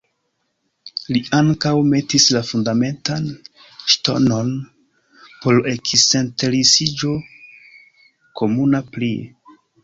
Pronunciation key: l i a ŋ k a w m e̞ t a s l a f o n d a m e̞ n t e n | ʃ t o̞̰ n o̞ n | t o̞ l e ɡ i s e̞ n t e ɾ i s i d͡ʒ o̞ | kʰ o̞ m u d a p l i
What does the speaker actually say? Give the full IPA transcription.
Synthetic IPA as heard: l i a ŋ k a w m e̞ t i s l a f u n d a m e̞ n t a n | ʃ t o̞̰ n o̞ n | p o̞ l e k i s e̞ n t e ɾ i s i d͡ʒ o̞ | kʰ o̞ m u n a p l i